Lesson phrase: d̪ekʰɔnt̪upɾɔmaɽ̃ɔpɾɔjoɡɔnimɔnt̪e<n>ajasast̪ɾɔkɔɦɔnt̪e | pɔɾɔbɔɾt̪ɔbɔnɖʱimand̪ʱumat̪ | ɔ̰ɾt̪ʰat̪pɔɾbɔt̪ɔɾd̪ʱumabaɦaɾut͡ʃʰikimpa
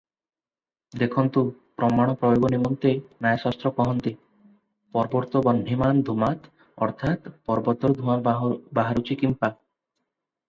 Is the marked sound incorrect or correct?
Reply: correct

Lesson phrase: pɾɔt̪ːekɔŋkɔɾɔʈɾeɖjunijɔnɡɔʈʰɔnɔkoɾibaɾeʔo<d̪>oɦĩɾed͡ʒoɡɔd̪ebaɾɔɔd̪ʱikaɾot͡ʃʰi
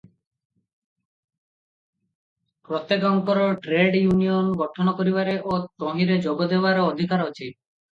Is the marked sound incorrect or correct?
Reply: incorrect: t̪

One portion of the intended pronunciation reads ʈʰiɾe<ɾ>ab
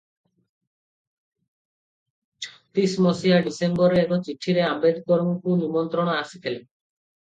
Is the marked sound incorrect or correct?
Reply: incorrect: none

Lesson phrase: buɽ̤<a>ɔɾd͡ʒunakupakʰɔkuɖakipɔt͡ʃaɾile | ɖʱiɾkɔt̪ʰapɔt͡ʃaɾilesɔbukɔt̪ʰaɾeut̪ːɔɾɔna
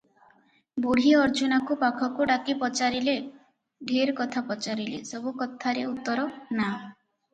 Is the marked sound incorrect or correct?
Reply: incorrect: i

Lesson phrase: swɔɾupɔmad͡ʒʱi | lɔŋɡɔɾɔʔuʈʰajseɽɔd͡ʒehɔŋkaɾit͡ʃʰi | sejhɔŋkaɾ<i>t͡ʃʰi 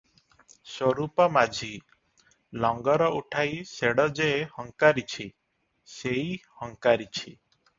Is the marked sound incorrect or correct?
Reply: correct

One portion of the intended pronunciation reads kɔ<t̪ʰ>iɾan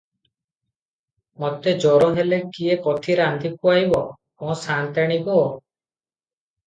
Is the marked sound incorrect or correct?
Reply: correct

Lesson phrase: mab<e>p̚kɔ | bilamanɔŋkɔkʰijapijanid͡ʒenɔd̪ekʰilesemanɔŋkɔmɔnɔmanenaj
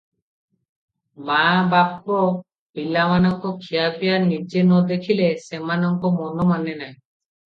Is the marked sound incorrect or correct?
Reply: incorrect: a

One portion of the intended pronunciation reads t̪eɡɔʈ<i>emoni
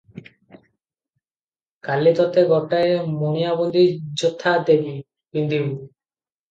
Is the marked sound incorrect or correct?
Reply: incorrect: a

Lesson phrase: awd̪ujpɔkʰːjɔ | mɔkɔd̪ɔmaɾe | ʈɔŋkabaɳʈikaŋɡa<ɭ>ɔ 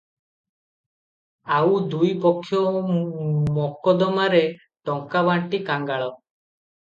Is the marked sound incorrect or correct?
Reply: correct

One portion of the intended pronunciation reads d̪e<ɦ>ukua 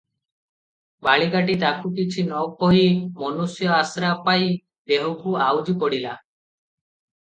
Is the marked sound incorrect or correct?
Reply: correct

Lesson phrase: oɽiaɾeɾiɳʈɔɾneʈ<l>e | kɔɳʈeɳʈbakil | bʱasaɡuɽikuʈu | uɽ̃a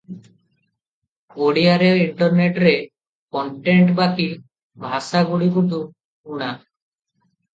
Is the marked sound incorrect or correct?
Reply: incorrect: ɾ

